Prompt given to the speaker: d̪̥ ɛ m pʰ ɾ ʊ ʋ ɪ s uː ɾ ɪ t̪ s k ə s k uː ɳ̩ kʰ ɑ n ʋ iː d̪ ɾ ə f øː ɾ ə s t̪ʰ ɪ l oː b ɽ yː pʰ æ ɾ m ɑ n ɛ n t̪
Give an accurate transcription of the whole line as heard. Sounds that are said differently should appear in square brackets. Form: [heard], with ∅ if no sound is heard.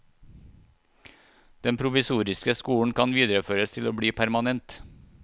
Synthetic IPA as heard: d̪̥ ɛ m pʰ ɾ ʊ ʋ ɪ s uː ɾ ɪ [∅] s k ə s k uː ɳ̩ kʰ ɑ n ʋ iː d̪ ɾ ə f øː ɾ ə s t̪ʰ ɪ l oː b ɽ [iː] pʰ æ ɾ m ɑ n ɛ n t̪

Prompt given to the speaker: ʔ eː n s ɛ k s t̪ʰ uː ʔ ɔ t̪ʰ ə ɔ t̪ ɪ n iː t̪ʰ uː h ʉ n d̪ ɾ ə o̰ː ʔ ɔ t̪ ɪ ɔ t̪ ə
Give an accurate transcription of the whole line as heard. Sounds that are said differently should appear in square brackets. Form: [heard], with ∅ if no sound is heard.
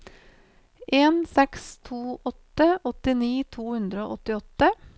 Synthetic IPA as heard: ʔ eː n s ɛ k s t̪ʰ uː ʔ ɔ [t̪] ə ɔ t̪ ɪ n iː t̪ʰ uː h ʉ n d̪ ɾ ə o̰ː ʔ ɔ t̪ ɪ ɔ t̪ ə

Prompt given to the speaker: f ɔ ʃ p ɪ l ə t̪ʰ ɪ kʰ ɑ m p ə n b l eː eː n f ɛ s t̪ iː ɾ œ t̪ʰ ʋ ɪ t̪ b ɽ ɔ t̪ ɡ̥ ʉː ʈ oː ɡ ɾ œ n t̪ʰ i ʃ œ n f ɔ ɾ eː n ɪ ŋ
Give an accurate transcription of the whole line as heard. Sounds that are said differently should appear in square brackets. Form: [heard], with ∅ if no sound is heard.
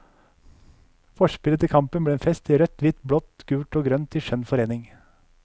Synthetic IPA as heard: f ɔ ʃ p ɪ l ə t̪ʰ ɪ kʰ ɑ m p ə n b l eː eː n f ɛ s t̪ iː ɾ œ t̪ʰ ʋ ɪ t̪ b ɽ ɔ t̪ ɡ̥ ʉː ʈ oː ɡ ɾ œ n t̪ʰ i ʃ œ n f ɔ ɾ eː n ɪ ŋ

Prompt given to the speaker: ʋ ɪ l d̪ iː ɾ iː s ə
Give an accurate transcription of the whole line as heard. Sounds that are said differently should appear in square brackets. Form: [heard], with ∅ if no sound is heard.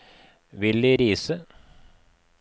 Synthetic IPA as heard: ʋ ɪ l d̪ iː ɾ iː s ə

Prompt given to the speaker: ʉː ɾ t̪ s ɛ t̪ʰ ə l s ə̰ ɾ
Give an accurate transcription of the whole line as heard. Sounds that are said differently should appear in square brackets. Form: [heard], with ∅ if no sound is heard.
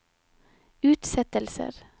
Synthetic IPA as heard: ʉː [∅] t̪ s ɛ [t̪] ə l s ə̰ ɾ

